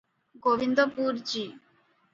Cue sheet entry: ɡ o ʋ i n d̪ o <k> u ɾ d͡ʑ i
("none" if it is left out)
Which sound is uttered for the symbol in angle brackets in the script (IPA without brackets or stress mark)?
p